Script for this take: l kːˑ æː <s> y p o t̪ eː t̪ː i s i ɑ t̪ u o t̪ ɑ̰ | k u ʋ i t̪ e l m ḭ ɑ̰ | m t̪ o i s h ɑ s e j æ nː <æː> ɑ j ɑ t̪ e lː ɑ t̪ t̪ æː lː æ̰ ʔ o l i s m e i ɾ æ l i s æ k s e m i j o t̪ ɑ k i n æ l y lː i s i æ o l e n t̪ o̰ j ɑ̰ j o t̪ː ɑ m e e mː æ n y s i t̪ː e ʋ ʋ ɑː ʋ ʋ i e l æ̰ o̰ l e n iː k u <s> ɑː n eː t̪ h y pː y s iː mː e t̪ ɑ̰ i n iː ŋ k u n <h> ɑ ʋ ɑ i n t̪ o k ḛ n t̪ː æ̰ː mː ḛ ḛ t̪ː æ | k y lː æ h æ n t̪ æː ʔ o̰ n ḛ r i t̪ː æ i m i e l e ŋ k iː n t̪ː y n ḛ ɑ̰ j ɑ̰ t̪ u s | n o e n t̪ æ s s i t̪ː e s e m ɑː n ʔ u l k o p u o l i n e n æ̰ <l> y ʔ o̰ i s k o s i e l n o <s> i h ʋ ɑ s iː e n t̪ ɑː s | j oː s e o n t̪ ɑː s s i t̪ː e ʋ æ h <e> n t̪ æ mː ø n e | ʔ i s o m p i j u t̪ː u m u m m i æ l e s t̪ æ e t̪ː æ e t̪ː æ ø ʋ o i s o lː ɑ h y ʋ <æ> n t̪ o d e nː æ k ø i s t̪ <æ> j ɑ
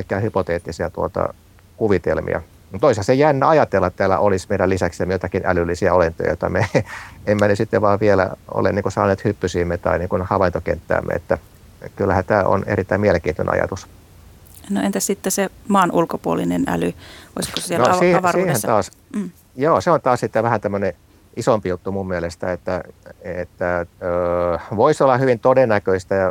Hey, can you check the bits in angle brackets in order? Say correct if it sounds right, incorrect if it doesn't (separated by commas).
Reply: incorrect, incorrect, correct, correct, correct, correct, incorrect, incorrect, correct